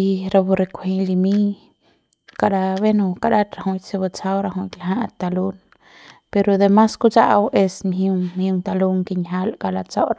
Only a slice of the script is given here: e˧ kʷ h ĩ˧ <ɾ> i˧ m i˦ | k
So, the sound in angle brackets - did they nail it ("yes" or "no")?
no